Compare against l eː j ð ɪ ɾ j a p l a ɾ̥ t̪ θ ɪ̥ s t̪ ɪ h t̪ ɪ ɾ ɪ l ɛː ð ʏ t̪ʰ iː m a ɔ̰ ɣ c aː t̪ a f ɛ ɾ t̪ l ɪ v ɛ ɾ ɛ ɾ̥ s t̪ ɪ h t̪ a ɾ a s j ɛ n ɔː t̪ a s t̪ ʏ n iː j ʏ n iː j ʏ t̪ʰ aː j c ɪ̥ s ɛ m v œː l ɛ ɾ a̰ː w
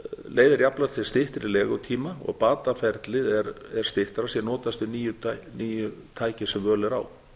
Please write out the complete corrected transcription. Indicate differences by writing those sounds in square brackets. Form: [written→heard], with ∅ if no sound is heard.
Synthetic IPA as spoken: l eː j ð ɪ ɾ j a p l a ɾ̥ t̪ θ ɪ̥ s t̪ ɪ h t̪ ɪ ɾ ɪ l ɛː [ð→ɣ] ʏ t̪ʰ iː m a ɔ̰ ɣ [c→p] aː t̪ a f ɛ ɾ t̪ l ɪ [v→ð] ɛ ɾ ɛ ɾ̥ s t̪ ɪ h t̪ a ɾ a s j ɛ n ɔː t̪ a s t̪ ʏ n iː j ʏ n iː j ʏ t̪ʰ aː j c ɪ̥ s ɛ m v œː l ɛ ɾ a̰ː w